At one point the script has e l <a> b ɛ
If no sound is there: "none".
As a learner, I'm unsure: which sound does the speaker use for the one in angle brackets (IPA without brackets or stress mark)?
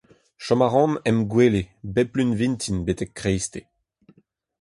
e